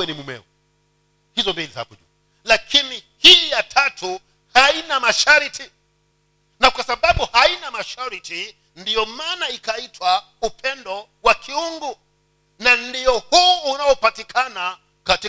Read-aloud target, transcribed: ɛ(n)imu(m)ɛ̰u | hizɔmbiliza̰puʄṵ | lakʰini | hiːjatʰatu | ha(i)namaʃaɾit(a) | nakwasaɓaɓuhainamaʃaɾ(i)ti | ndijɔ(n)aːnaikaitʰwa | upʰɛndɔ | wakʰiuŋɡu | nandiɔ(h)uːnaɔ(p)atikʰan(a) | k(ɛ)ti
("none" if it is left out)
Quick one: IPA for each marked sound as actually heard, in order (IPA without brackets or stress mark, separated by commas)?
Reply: n, m, i, i, i, m, h, p, a, a